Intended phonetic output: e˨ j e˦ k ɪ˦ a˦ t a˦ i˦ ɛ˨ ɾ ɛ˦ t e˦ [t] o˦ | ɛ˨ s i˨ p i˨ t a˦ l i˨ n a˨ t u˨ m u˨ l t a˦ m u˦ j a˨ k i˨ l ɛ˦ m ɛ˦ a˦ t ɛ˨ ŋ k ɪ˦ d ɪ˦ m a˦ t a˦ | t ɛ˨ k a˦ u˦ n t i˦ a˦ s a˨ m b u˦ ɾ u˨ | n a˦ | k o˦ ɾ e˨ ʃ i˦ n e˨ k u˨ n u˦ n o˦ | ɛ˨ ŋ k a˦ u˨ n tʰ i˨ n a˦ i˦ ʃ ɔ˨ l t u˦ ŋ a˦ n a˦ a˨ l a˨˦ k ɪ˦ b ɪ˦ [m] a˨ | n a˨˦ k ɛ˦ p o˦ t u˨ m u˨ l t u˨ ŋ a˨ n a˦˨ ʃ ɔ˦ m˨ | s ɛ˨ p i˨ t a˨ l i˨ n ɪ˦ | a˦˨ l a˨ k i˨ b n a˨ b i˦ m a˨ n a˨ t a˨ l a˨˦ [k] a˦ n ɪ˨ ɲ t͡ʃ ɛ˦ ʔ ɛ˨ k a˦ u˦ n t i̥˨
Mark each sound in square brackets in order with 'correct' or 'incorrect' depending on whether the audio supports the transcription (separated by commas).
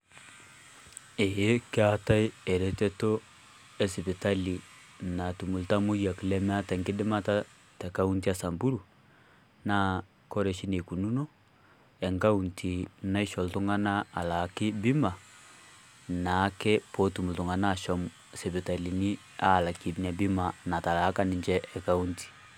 correct, correct, correct